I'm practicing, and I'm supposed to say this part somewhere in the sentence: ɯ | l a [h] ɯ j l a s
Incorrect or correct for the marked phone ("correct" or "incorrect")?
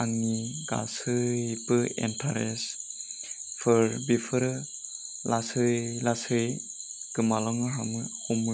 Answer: incorrect